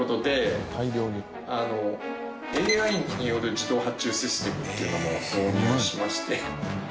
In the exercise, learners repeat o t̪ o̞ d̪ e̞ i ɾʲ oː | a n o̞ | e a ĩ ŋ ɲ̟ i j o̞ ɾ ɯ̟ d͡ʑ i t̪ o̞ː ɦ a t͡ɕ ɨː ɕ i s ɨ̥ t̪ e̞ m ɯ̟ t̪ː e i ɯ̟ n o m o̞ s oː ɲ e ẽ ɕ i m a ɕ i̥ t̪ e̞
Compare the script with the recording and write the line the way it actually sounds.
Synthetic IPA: o t̪ o̞ d̪ e̞ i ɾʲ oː | a n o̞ | e a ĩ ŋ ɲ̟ i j o̞ ɾ ɯ̟ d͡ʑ i d̪ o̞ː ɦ a t͡ɕ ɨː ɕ i s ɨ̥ t̪ e̞ m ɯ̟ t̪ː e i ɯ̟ n o m o̞ s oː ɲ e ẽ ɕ i m a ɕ i̥ t̪ e̞